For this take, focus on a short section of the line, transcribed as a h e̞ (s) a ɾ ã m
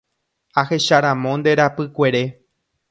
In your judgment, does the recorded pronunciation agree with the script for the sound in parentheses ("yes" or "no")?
no